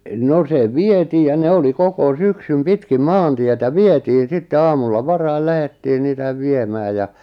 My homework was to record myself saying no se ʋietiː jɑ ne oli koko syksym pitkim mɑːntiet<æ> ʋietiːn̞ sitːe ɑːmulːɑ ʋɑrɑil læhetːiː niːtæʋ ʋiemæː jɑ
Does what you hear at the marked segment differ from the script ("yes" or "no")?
no